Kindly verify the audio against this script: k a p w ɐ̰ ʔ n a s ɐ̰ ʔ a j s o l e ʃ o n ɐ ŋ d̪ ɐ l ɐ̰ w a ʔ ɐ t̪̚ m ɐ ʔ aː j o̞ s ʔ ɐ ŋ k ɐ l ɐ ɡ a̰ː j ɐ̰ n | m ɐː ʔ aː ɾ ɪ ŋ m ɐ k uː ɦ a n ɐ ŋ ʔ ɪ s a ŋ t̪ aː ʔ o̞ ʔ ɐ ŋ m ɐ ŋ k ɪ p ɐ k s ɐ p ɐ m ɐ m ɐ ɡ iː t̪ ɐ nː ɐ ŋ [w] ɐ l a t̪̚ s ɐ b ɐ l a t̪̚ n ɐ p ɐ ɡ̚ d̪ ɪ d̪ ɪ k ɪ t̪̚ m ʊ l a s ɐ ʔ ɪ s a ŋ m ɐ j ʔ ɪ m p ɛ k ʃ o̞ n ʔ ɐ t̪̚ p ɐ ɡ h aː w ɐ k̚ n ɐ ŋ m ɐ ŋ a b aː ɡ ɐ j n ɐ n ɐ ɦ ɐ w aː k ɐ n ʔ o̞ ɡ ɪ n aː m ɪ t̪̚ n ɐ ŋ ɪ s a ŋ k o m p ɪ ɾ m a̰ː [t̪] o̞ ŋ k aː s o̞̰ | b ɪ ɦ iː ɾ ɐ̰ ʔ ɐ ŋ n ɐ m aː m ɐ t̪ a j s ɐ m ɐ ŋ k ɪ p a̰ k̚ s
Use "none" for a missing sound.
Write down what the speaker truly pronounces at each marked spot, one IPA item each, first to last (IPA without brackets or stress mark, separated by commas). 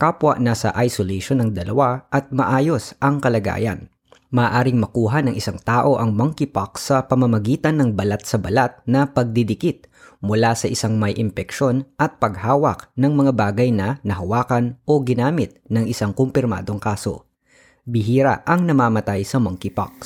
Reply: b, d̪